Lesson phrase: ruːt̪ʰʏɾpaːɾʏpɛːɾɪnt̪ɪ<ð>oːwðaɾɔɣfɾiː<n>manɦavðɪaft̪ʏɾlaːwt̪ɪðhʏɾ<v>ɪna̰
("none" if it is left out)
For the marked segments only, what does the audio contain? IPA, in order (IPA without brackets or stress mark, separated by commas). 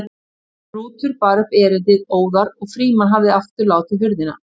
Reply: ð, none, ð